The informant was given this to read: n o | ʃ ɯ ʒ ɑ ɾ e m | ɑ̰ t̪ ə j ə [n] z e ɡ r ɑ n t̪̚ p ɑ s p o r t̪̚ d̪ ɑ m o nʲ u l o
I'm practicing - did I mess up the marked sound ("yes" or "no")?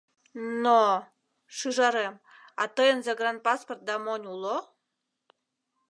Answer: no